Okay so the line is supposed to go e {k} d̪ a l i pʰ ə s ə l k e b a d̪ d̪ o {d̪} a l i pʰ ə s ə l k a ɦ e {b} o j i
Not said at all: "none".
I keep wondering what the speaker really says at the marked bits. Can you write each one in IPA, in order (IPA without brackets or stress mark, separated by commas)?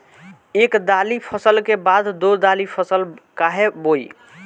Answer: k, d̪, b